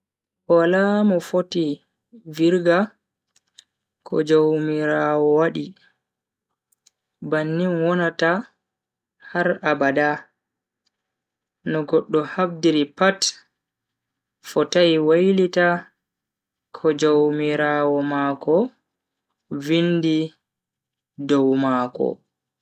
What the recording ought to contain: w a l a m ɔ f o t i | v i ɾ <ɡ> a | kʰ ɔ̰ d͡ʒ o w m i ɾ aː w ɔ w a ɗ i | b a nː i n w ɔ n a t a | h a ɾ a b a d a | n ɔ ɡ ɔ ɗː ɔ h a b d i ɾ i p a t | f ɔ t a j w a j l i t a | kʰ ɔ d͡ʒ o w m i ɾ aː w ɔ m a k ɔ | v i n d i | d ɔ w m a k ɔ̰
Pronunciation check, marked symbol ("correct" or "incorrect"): correct